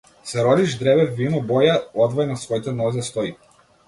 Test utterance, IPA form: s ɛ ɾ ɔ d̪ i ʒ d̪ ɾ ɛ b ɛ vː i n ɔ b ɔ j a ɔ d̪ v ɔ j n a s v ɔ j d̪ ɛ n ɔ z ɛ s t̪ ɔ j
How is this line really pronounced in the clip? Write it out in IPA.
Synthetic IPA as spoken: s ɛ ɾ ɔ d̪ i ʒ d̪ ɾ ɛ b ɛ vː i n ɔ b ɔ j a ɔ d̪ v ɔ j n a s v ɔ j t̪ ɛ n ɔ z ɛ s t̪ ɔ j